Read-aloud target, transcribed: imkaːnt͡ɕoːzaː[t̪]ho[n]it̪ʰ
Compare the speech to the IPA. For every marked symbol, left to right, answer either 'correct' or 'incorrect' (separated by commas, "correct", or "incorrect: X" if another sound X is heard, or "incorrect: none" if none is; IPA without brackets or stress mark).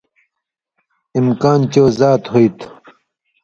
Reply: correct, incorrect: none